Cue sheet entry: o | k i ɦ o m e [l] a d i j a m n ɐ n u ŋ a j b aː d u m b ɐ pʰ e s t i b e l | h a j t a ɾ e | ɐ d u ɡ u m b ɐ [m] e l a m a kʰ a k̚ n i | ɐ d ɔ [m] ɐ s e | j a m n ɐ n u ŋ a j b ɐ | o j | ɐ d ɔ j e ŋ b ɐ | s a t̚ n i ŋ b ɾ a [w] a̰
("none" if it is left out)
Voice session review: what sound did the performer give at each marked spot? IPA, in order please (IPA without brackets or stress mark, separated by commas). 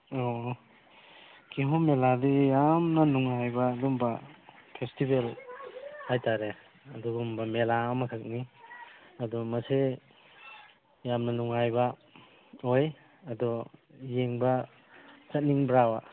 l, m, m, w